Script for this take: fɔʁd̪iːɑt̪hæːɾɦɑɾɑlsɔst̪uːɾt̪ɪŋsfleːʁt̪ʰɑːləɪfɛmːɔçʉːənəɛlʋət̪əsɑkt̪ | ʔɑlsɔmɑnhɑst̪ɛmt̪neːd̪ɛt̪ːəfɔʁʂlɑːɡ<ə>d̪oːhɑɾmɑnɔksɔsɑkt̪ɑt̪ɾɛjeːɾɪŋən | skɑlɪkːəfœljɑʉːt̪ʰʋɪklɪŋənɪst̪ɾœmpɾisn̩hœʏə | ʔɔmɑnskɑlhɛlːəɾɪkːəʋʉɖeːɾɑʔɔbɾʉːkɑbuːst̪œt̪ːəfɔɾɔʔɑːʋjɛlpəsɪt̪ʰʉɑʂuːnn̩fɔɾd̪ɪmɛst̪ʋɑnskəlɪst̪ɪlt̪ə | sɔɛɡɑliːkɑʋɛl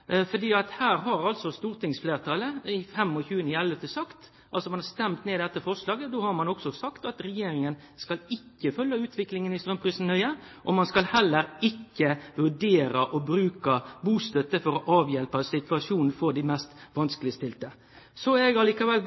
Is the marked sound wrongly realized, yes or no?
no